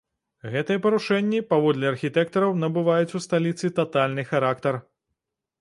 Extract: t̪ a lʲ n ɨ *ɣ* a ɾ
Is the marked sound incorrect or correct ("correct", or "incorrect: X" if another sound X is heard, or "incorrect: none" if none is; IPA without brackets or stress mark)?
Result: incorrect: x